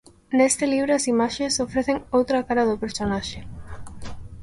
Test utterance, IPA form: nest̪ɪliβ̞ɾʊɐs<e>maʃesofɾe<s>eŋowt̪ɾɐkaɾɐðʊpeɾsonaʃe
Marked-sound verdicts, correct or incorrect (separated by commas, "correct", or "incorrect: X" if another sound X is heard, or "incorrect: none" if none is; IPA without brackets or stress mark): incorrect: i, incorrect: θ